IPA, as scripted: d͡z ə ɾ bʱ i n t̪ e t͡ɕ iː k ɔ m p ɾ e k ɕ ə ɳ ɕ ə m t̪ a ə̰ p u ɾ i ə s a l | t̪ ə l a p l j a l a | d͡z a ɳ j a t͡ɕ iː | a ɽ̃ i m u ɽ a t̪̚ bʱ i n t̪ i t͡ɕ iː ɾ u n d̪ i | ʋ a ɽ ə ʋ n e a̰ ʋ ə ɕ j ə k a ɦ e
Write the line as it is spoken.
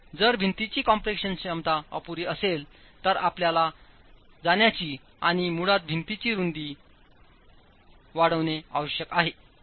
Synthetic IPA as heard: d͡z ə ɾ bʱ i n t̪ i t͡ɕ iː k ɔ m p ɾ e k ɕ ə n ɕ ə m t̪ a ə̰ p u ɾ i ə s e l | t̪ ə ɾ a p l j a l a | d͡z a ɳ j a t͡ɕ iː | a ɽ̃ i m u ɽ a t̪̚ bʱ i n t̪ i t͡ɕ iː ɾ u n d̪ i | ʋ a ɽ ə ʋ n e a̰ ʋ ə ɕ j ə k a ɦ e